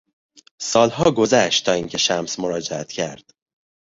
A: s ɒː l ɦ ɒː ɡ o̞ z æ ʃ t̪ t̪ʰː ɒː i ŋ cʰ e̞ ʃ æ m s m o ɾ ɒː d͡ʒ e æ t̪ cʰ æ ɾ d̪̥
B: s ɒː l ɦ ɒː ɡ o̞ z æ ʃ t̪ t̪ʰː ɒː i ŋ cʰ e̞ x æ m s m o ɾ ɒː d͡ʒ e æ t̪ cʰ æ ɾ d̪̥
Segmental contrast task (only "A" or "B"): A